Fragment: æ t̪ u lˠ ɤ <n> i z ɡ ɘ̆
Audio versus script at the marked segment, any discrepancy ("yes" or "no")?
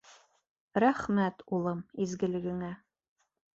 yes